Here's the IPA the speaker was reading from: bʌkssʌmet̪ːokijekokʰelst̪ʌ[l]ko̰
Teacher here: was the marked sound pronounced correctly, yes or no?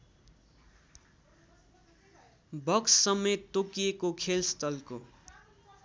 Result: yes